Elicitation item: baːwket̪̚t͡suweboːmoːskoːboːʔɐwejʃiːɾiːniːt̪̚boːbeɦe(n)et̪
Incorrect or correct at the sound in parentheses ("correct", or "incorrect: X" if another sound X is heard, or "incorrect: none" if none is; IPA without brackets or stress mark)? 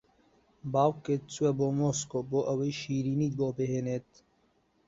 correct